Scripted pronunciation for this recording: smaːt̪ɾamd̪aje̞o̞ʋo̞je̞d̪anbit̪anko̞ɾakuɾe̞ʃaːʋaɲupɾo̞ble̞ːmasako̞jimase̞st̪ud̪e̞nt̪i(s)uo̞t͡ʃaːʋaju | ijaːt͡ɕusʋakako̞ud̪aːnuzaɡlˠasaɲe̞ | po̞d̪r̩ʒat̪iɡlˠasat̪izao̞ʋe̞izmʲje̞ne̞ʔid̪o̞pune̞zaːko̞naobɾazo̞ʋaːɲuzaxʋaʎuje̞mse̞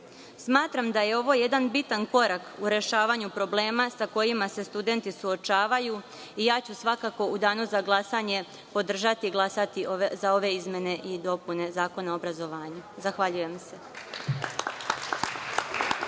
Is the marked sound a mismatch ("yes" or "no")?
no